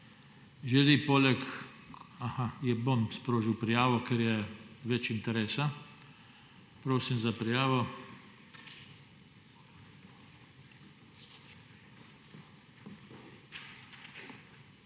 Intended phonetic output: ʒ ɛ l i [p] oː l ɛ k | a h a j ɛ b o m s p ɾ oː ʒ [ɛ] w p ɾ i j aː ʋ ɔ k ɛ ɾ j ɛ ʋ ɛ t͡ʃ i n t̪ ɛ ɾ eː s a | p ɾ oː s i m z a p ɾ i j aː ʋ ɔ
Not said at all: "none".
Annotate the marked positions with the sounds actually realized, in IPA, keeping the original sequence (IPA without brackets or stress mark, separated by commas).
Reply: p, i